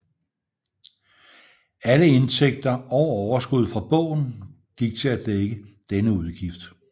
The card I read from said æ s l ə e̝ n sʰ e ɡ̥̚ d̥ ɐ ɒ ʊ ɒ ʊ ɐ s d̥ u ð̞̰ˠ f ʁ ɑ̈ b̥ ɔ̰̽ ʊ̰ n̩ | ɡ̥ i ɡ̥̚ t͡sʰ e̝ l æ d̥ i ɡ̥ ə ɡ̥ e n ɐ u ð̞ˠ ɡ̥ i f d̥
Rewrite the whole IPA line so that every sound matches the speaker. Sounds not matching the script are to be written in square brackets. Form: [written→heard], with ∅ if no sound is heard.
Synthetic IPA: æ [s→∅] l ə e̝ n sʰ e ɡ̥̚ d̥ ɐ ɒ ʊ ɒ ʊ ɐ s [d̥→ɡ̥] u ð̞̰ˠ f ʁ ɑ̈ b̥ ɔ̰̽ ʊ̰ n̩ | ɡ̥ i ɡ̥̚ t͡sʰ e̝ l æ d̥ [i→e] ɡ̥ ə [ɡ̥→d̥] e n [ɐ→ə] u ð̞ˠ ɡ̥ i f d̥